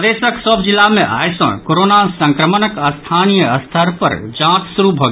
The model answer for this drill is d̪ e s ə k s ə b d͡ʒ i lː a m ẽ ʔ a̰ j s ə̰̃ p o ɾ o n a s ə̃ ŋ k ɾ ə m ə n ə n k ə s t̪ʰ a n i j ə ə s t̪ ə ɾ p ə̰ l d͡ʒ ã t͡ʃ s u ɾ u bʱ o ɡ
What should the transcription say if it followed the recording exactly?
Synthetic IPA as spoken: d̪ e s ə k s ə b d͡ʒ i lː a m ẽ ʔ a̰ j s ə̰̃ k o ɾ o n a s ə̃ ŋ k ɾ ə m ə n ə k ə s t̪ʰ a n i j ə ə s t̪ʰ ə ɾ p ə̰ ɾ d͡ʒ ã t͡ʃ s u ɾ u bʱ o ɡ

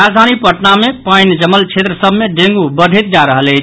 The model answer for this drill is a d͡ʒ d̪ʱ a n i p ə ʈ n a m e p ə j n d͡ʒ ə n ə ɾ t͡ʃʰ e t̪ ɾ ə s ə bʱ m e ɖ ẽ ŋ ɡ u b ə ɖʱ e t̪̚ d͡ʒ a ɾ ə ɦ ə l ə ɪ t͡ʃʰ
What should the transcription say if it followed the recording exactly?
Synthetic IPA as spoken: a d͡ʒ d̪ʱ a n i p ə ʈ n a m e p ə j n d͡ʒ ə m ə l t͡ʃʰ e t̪ ɾ ə s ə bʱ m e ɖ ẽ ŋ ɡ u b ə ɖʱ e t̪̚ d͡ʒ a ɾ ə ɦ ə l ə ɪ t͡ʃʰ

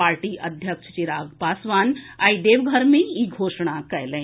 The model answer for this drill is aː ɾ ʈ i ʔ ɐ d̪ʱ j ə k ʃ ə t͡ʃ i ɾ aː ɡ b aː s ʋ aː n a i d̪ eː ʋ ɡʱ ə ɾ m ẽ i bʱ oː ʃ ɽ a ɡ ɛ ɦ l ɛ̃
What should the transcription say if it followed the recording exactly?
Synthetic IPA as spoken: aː ɾ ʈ i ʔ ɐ d̪ʱ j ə k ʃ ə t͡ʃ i ɾ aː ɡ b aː s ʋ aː n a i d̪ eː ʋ ɡʱ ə ɾ m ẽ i ɡʱ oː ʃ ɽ a k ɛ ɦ l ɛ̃

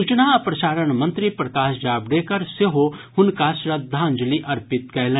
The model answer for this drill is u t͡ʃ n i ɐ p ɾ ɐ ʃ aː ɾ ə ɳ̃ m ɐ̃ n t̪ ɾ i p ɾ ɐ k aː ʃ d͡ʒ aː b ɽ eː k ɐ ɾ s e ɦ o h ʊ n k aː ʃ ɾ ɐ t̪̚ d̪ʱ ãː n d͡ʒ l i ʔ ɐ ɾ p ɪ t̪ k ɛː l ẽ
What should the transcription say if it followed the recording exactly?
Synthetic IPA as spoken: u t͡ʃ n a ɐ p ɾ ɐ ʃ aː ɾ ə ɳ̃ m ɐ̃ n t̪ ɾ i p ɾ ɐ k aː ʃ d͡ʒ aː b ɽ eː k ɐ ɾ s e ɦ o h ʊ n k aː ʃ ɾ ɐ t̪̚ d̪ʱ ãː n d͡ʒ l i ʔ ɐ ɾ p ɪ t̪ k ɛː l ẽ

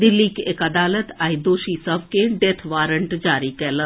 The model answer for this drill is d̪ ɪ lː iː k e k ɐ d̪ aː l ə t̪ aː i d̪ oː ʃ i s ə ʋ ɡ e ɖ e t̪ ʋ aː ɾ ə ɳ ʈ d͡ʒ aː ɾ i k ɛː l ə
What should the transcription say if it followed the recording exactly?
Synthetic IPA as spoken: d̪ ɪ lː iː k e k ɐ d̪ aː l ə t̪ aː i d̪ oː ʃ i s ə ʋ k e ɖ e t̪ʰ ʋ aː ɾ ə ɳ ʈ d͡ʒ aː ɾ i k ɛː l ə

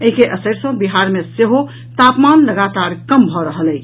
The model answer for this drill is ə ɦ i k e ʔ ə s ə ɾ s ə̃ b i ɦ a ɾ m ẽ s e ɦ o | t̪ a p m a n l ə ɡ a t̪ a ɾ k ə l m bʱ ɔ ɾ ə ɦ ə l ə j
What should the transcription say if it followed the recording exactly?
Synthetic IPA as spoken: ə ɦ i k e ʔ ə s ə ɾ s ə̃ b i ɦ a ɾ m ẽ s e ɦ o | t̪ a p m a n l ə ɡ a t̪ a ɾ k ə m bʱ ɔ ɾ ə ɦ ə l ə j

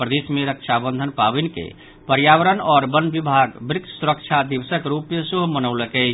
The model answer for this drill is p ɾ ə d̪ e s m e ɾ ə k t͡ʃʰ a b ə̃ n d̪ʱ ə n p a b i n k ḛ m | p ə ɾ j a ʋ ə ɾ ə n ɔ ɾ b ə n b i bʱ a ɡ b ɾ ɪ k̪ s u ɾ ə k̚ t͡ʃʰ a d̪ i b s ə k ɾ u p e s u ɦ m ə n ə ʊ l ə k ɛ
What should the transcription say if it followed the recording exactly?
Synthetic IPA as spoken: p ɾ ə d̪ e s m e ɾ ə k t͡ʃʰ a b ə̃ n d̪ʱ ə n p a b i n k ḛ | p ə ɾ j a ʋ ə ɾ ə n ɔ ɾ b ə n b i bʱ a ɡ b ɾ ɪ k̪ s u ɾ ə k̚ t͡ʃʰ a d̪ i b s ə k ɾ u p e s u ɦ m ə n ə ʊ l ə k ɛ

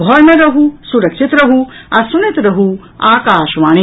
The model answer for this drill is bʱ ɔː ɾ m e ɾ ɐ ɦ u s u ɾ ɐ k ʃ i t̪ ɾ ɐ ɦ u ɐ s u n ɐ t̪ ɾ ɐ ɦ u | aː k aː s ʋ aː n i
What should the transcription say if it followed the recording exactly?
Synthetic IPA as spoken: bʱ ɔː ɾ m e ɾ ɐ ɦ u s u ɾ ɐ k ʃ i t̪ ɾ ɐ ɦ u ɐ s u n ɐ t̪ ɾ ɐ ɦ u | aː k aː ʃ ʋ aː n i

